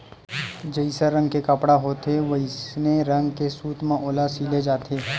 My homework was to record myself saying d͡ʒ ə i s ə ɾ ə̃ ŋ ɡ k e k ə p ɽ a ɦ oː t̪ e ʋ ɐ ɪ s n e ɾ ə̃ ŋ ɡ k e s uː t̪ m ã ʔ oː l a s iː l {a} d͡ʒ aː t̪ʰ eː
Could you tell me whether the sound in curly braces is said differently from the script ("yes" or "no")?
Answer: yes